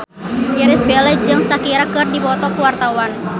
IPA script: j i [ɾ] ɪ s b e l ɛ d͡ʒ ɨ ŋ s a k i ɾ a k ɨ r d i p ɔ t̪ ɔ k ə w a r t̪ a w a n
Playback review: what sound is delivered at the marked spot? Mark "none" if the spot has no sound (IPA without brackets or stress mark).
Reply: ɾ